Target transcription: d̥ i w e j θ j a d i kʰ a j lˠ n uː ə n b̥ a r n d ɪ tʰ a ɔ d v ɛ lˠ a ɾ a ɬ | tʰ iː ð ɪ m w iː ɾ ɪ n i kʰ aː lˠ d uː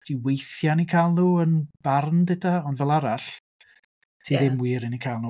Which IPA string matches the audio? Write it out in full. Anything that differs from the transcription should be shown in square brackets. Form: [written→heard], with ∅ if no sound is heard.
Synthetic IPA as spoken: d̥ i w e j θ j a [d→n] i kʰ a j lˠ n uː ə n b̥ a r n d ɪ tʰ a ɔ [d→n] v ɛ lˠ a ɾ a ɬ | tʰ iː ð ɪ m w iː ɾ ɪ n i kʰ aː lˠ [d→n] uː